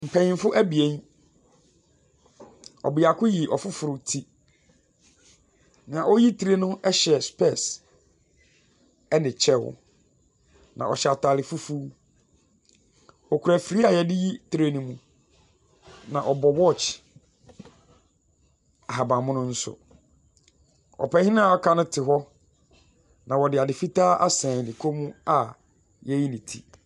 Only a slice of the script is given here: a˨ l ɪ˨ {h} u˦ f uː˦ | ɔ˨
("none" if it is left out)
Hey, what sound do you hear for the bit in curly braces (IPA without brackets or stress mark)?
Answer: f